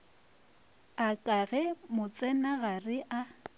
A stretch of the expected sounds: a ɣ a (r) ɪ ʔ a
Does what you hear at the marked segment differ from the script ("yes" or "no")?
no